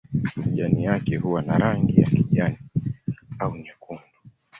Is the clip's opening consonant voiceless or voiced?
voiced